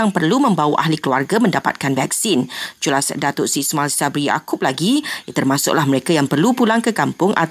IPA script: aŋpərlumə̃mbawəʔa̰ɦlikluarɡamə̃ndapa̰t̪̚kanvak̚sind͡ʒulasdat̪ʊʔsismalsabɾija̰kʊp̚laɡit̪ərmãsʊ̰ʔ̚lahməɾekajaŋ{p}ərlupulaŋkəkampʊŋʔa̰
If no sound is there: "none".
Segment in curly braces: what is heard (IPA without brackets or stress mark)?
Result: p